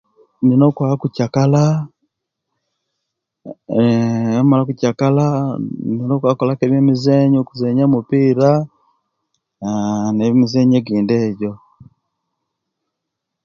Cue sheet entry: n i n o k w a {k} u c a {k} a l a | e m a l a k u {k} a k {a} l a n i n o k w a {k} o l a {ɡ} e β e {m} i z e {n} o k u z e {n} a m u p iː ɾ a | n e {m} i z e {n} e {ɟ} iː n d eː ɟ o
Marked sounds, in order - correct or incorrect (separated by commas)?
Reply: correct, correct, incorrect, correct, correct, incorrect, correct, incorrect, incorrect, correct, incorrect, incorrect